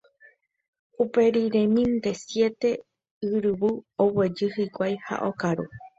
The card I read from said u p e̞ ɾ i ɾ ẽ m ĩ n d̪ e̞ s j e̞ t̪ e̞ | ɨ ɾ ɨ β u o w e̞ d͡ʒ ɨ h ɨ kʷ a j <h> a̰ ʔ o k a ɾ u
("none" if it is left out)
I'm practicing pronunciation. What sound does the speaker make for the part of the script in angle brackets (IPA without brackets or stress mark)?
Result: h